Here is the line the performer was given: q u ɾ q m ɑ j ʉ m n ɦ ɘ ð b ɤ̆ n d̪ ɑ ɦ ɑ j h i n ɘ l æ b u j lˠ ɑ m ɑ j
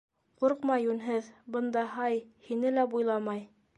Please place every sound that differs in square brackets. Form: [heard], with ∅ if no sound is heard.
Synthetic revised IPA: q u ɾ q m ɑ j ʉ [∅] n ɦ ɘ ð b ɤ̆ n d̪ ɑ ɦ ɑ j h i n ɘ l æ b u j lˠ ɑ m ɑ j